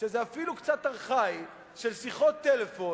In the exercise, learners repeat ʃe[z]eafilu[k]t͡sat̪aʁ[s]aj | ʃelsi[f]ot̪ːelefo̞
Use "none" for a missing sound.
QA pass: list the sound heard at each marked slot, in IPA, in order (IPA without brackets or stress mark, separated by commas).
z, k, χ, χ